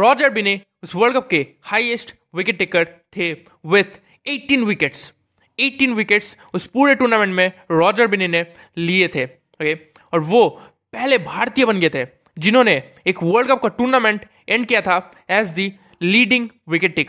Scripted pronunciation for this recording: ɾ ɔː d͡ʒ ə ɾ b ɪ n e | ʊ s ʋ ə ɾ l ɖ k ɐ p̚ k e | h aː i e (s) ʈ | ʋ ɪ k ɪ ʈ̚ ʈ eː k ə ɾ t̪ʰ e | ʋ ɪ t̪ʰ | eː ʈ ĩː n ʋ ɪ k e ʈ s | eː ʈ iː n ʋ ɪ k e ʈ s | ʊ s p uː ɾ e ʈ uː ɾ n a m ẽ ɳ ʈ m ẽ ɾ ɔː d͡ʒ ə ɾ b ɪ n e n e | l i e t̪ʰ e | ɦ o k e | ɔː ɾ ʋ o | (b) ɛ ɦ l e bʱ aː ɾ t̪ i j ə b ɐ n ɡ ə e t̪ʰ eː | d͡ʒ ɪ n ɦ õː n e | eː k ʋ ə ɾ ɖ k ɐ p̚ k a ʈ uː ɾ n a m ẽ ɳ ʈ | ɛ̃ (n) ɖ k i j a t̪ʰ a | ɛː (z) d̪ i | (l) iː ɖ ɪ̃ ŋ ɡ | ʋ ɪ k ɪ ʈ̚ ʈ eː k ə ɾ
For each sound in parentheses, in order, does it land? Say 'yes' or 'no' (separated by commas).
yes, no, no, yes, yes